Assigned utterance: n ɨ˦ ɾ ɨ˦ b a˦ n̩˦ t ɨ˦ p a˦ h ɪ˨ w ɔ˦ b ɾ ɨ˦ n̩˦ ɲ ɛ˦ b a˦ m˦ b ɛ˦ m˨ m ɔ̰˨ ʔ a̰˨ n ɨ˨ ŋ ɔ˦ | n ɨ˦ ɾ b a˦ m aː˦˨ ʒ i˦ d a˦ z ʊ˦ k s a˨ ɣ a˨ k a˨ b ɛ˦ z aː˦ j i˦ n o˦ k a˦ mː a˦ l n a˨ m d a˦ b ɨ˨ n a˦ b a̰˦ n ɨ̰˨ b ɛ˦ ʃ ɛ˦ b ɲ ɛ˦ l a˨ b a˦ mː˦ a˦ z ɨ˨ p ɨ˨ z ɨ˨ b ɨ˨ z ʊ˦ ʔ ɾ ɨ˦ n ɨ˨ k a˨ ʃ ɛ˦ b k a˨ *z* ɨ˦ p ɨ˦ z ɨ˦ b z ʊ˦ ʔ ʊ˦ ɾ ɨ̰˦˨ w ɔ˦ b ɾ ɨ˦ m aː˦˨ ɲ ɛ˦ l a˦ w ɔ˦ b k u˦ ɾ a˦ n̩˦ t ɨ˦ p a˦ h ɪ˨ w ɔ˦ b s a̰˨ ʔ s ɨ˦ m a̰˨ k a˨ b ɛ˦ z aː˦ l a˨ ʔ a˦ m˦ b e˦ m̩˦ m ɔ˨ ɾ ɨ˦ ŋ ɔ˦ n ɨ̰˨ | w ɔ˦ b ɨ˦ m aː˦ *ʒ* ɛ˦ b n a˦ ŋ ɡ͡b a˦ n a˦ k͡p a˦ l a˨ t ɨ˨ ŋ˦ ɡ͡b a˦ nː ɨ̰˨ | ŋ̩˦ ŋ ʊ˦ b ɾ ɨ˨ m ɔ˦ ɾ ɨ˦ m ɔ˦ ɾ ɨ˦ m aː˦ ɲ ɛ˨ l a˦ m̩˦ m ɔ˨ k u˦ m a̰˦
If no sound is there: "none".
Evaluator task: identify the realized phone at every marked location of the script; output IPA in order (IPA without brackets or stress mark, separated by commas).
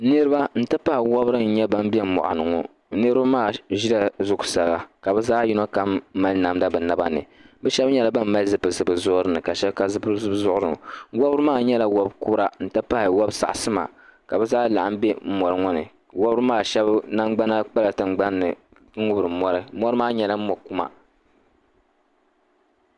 z, ʃ